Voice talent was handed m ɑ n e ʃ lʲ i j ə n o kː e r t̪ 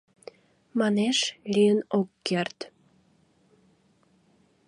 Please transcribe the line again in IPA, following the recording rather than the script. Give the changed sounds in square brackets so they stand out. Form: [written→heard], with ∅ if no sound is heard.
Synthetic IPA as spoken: m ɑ n e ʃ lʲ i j ə n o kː e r t̪

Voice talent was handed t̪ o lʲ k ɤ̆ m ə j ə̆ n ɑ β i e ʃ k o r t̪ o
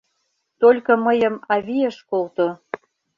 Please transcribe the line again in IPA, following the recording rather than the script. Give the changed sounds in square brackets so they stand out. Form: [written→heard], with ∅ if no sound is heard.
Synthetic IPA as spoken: t̪ o lʲ k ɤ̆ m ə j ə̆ [n→m] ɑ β i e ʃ k o [r→l] t̪ o

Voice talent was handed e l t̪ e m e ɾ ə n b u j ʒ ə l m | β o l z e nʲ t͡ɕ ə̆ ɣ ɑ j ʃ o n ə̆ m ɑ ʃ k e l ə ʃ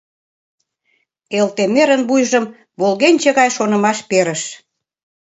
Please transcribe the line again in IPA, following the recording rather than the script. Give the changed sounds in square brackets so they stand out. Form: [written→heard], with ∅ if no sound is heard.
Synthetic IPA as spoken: e l t̪ e m e ɾ ə n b u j ʒ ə [l→∅] m | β o l [z→ɣ] e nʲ t͡ɕ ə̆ ɣ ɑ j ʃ o n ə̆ m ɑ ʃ [k→p] e [l→ɾ] ə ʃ

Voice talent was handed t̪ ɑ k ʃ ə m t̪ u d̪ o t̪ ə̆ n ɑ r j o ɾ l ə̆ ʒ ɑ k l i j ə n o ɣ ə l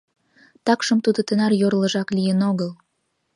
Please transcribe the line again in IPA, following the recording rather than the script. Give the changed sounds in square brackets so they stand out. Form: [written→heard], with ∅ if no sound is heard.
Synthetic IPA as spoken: t̪ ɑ k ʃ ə m t̪ u d̪ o t̪ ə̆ n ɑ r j o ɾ l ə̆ ʒ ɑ k l i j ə n o ɣ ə l

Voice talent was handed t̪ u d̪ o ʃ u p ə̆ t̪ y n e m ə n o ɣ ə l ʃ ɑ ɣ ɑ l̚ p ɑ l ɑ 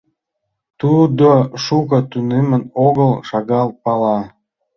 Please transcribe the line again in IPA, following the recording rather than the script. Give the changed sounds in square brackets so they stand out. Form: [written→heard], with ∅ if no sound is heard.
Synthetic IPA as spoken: t̪ u d̪ o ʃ u [p→k] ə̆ t̪ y n e m ə n o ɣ ə l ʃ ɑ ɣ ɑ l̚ p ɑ l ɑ

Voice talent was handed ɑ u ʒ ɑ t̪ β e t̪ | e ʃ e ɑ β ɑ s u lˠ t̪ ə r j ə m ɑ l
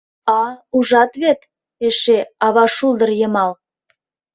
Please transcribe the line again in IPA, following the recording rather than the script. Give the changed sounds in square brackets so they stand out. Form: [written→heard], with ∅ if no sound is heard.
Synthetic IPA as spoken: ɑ u ʒ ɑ t̪ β e t̪ | e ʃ e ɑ β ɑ [s→ʃ] u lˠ [t̪→d̪] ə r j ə m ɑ l

